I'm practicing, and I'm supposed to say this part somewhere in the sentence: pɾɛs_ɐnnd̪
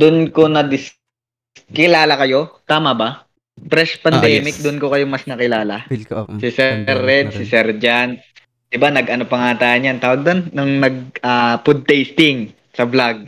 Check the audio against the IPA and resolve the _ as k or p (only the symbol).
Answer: p